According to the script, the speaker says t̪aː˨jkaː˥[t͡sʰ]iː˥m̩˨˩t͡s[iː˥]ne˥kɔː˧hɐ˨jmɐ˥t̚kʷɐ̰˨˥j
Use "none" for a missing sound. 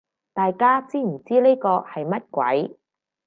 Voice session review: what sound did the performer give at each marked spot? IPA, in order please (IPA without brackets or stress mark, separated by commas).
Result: t͡s, iː˥